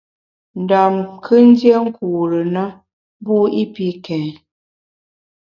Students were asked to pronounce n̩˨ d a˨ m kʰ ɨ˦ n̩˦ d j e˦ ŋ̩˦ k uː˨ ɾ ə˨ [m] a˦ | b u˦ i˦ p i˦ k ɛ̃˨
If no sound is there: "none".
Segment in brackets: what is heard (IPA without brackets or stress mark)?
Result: n